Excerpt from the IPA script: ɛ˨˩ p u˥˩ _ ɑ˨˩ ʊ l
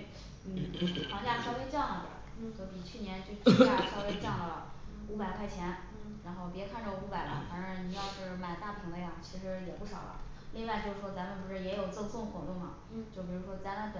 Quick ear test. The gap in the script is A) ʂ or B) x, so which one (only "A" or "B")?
A